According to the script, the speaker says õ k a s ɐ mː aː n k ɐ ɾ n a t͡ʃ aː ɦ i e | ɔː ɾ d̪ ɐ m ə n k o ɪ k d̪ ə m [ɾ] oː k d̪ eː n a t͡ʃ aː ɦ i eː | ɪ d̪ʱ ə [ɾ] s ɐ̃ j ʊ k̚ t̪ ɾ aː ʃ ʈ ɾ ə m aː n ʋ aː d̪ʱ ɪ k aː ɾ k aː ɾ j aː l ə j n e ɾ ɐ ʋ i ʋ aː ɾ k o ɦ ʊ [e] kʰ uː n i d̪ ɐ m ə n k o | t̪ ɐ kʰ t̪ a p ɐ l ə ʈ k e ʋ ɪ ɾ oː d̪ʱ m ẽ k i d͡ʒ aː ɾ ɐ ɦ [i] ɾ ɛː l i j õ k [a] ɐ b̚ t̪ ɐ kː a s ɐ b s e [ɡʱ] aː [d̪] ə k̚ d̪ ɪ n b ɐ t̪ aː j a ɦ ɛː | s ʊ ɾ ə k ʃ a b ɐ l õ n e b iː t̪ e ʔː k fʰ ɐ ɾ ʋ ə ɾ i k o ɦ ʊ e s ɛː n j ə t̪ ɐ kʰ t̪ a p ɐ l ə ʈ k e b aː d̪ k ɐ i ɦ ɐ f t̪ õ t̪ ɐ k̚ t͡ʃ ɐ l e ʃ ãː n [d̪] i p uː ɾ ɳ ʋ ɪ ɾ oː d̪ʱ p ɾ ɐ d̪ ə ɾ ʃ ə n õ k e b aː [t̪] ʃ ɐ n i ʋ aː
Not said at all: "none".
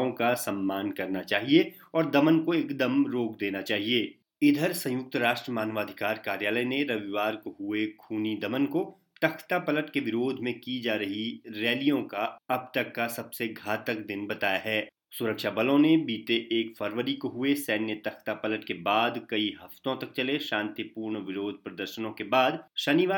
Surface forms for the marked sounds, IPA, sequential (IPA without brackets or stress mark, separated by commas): ɾ, ɾ, e, i, a, ɡʱ, t̪, t̪, d̪